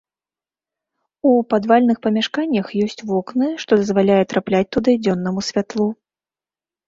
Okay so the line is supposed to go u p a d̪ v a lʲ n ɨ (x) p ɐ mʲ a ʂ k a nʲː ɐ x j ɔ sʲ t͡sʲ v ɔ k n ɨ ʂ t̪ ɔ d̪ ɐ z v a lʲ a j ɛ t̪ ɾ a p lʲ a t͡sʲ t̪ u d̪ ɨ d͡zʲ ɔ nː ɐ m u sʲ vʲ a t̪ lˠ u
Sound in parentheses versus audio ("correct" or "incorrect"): correct